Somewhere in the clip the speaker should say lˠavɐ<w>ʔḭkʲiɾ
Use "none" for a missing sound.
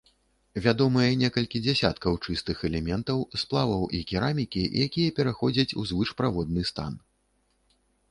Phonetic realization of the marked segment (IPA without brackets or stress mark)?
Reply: w